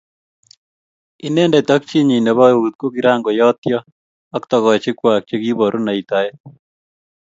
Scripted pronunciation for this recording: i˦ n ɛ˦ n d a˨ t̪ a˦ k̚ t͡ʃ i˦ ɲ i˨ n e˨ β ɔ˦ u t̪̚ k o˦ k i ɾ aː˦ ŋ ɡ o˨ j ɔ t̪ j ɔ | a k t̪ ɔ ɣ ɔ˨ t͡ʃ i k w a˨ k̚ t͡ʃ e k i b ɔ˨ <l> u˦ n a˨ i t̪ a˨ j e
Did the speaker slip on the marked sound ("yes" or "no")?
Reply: yes